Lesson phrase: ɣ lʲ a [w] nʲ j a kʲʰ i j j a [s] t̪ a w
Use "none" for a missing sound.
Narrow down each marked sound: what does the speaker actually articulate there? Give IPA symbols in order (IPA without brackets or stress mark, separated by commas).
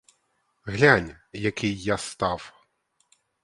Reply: none, s